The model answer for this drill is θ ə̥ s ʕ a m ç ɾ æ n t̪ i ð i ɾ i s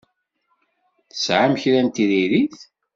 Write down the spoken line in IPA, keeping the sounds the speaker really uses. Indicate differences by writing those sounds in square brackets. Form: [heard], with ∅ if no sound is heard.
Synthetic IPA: θ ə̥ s ʕ a m ç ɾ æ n t̪ i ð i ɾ i [θ]